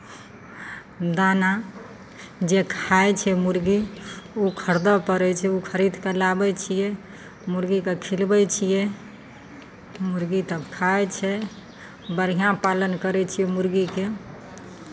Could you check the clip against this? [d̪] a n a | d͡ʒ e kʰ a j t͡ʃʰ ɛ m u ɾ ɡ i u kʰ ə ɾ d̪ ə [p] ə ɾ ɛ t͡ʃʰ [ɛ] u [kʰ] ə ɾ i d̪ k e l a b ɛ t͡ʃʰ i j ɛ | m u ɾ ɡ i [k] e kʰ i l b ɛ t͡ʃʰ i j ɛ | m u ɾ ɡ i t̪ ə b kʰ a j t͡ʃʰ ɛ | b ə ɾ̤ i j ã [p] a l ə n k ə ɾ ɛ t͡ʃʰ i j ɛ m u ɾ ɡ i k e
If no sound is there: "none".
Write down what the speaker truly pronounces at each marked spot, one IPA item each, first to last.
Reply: d̪, p, ɛ, kʰ, k, p

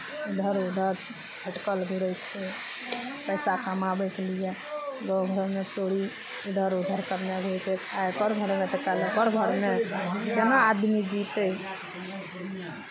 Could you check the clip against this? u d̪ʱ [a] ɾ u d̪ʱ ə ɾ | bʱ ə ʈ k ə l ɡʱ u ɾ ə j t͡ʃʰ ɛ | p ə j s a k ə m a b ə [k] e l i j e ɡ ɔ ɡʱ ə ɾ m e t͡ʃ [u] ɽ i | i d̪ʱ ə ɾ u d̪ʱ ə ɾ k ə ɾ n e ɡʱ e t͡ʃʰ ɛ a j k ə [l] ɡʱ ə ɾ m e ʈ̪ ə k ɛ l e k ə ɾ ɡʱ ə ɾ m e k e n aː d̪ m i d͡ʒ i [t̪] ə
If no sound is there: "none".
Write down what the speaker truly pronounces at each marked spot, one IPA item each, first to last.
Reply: ə, k, o, ɾ, t̪

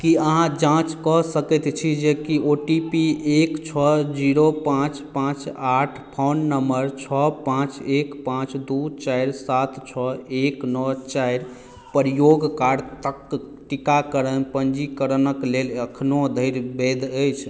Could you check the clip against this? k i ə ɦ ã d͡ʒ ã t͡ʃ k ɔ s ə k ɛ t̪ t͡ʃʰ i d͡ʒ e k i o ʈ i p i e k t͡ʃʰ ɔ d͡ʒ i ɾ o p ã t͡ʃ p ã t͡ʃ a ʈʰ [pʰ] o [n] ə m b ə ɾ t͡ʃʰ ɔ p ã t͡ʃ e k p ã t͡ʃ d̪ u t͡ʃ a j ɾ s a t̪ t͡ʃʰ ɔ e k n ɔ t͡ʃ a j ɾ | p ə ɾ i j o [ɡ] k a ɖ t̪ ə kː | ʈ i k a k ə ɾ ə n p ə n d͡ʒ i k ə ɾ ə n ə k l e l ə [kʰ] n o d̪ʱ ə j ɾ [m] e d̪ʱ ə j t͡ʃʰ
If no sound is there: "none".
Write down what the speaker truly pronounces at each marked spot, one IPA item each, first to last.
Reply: pʰ, nː, ɡ, kʰ, b

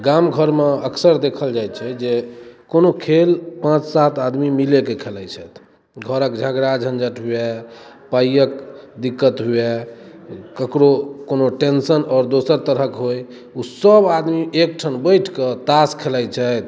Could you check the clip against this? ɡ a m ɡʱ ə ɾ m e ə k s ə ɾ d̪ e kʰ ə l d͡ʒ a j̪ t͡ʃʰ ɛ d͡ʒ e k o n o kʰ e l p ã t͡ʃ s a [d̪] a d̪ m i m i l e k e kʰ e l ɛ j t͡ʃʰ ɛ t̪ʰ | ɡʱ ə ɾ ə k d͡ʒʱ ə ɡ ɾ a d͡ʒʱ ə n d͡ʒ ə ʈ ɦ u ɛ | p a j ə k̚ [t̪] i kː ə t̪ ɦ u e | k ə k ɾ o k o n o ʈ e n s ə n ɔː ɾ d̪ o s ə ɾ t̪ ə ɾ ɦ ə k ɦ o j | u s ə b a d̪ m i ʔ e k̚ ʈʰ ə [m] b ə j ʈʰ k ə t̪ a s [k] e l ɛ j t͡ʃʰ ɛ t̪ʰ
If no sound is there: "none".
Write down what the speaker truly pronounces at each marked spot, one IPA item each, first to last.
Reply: t̪, d̪, n, kʰ

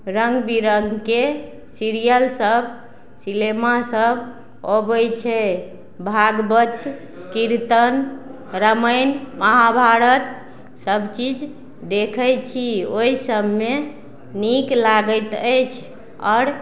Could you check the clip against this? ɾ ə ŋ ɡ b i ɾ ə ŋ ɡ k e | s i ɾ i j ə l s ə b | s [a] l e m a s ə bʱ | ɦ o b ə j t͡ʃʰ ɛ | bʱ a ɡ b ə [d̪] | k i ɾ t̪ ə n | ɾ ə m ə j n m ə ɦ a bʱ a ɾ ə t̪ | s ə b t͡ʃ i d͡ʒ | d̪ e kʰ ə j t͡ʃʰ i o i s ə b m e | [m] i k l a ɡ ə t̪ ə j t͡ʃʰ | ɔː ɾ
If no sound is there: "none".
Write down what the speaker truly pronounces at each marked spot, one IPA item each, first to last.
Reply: i, t̪, n

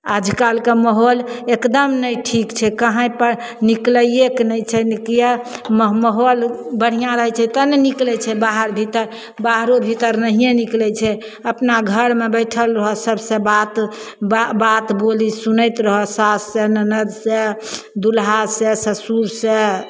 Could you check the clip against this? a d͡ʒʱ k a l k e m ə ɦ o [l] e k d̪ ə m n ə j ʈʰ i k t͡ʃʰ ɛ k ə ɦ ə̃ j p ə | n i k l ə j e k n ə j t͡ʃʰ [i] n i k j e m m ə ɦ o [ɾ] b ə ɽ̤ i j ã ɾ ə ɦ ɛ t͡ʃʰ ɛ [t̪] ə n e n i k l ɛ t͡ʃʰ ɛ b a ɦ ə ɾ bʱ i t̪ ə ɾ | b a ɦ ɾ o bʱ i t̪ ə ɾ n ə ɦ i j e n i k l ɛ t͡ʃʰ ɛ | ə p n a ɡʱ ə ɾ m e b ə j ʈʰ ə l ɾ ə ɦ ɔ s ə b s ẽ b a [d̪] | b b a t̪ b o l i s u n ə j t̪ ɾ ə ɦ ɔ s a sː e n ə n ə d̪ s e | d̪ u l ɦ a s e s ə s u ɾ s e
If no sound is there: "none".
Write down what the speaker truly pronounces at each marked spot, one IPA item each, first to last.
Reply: l, ɛ, l, t̪, t̪

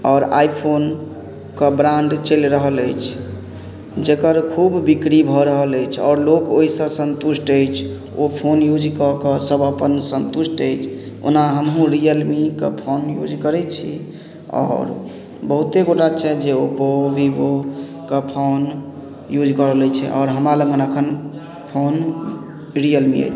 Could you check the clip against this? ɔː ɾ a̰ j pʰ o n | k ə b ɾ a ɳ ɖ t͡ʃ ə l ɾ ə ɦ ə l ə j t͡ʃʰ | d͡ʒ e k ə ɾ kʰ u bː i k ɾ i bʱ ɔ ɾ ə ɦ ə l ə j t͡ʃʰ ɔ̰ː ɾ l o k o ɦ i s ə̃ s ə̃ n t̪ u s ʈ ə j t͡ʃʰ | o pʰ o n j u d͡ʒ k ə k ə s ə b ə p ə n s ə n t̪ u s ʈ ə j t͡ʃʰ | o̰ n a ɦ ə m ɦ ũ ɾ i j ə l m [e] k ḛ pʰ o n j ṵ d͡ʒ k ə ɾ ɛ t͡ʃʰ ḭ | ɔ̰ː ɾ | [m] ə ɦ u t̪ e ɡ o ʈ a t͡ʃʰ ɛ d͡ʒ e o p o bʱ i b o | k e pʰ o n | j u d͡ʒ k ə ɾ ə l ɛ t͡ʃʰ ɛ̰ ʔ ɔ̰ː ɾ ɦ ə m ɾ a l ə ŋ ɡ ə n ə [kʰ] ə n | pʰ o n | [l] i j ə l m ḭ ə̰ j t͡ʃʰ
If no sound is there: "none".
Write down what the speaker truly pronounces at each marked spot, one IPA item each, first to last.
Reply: i, b, kʰ, ɾ

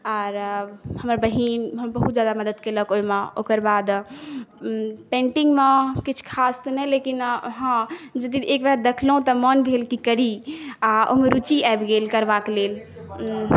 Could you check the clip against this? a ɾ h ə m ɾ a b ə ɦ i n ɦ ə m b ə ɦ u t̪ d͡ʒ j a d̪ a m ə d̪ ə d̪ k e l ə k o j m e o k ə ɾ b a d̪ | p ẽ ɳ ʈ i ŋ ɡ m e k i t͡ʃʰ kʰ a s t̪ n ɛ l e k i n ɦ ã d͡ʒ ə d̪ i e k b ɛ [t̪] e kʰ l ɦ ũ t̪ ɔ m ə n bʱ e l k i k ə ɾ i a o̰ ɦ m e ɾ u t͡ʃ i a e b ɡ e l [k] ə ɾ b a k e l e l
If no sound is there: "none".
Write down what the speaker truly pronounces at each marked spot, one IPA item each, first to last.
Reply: d̪, k

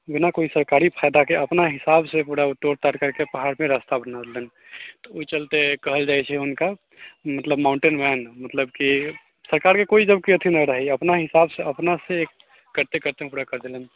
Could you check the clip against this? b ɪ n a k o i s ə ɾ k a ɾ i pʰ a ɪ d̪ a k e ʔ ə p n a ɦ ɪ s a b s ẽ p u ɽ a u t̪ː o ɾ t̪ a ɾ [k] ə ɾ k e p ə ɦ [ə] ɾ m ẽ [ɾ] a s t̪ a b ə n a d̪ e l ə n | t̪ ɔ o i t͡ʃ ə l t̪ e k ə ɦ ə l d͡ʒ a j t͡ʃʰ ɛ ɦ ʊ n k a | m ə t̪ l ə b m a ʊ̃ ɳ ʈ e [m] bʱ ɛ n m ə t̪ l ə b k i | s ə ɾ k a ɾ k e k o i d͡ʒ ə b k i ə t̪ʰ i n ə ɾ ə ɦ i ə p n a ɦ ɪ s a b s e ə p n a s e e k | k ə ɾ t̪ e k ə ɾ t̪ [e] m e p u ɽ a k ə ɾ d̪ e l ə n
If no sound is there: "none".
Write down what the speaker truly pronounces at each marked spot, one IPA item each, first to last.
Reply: k, a, ɾ, n, e

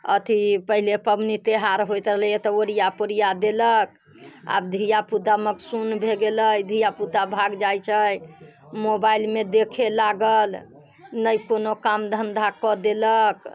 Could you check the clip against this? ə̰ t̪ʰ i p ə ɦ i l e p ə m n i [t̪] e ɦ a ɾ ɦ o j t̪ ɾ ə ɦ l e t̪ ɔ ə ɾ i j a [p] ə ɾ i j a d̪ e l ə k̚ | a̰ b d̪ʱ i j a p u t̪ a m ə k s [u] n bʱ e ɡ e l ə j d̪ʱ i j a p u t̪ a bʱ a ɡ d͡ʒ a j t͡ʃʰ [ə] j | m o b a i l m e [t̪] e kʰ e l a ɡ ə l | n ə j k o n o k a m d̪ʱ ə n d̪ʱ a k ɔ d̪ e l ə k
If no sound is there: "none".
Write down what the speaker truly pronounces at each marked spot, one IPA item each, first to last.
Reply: t̪, p, u, ə, d̪

